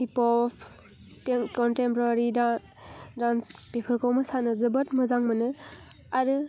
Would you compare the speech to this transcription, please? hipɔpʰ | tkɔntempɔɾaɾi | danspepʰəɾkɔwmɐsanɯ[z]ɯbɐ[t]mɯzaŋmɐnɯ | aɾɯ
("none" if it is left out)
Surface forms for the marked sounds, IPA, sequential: z, t

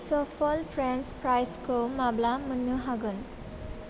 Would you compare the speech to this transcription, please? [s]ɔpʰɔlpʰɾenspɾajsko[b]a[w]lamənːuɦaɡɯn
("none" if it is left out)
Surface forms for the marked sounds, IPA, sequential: s, m, b

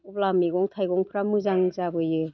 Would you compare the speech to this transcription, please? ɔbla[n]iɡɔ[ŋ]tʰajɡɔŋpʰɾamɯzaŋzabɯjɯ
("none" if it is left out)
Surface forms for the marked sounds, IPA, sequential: m, ŋ

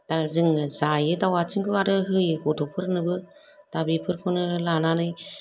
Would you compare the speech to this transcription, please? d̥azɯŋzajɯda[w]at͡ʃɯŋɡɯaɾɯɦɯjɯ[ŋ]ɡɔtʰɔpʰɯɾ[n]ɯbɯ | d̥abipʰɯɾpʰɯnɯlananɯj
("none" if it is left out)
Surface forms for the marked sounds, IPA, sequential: w, none, n

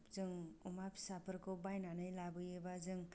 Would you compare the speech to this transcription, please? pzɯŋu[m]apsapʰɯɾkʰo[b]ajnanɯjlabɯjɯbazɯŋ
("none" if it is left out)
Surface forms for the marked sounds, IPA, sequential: m, b

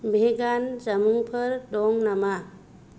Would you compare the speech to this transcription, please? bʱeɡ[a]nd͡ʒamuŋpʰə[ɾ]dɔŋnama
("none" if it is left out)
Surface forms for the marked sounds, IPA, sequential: a, ɾ

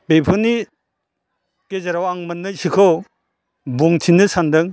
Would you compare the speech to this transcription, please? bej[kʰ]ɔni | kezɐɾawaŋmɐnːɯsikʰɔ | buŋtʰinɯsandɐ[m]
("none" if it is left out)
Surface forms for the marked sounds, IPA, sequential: pʰ, ŋ

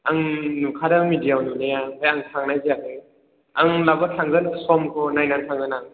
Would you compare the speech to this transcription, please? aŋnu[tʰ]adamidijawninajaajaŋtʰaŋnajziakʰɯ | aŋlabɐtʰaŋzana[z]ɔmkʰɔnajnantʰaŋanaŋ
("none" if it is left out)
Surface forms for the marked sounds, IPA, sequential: kʰ, s

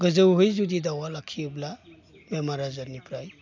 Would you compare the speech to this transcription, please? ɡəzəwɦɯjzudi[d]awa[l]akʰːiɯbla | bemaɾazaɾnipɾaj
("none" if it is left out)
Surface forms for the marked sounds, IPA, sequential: d, l

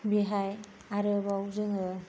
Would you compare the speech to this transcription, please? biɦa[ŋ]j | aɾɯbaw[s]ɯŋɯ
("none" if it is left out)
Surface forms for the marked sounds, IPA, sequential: none, z

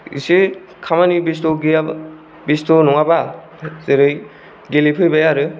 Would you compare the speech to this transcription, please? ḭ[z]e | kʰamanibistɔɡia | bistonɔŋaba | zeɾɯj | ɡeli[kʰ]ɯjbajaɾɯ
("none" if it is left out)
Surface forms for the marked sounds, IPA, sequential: s, pʰ

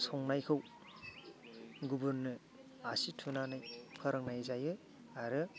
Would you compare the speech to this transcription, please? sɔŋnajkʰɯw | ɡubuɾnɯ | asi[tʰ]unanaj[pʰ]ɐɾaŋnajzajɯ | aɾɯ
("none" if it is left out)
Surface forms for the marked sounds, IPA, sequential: tʰ, pʰ

